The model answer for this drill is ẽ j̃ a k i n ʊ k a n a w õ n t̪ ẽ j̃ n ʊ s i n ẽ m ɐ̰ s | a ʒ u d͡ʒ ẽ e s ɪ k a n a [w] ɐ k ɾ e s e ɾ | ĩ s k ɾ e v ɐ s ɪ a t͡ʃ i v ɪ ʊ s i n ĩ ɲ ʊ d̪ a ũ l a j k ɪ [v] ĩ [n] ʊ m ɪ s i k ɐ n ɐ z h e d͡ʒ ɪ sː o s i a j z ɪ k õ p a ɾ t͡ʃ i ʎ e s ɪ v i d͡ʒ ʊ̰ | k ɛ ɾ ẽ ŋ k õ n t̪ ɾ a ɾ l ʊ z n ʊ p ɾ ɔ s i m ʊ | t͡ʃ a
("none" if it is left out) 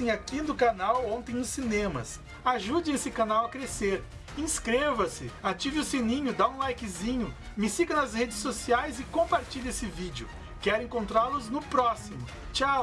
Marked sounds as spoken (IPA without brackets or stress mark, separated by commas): w, z, ɲ